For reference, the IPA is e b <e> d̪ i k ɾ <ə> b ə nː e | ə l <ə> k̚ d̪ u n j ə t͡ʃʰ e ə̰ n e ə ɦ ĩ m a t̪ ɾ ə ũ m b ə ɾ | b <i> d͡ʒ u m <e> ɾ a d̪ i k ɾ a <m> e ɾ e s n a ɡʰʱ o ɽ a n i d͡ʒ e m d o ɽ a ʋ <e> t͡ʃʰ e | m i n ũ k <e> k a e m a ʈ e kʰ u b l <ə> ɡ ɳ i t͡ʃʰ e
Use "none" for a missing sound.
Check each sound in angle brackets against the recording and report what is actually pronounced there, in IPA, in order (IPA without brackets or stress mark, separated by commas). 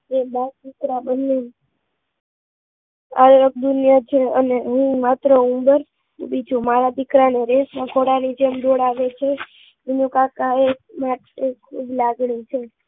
a, a, ə, i, a, n, e, a, a